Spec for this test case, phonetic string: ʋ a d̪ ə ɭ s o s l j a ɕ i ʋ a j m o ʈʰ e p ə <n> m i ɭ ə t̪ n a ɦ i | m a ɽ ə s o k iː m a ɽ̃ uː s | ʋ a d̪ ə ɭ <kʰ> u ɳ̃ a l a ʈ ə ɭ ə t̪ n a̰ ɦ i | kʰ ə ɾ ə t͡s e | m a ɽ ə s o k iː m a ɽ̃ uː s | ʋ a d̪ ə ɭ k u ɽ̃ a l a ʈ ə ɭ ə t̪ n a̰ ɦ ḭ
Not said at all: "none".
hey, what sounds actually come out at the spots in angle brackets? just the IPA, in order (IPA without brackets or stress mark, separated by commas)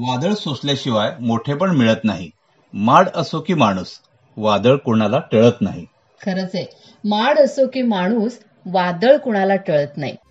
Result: ɳ, k